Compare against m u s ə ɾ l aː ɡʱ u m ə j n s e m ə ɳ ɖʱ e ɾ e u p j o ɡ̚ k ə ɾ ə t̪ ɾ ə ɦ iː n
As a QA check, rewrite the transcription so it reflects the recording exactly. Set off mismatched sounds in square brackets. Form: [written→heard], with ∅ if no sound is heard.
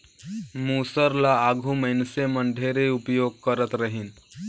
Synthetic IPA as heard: m u s ə ɾ l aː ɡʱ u m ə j n s e m ə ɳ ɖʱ e ɾ e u p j o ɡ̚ k ə ɾ ə t̪ ɾ ə ɦ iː n